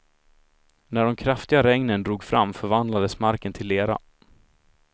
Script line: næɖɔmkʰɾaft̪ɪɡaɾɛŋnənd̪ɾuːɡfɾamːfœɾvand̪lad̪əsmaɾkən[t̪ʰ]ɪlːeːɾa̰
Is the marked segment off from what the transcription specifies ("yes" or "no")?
no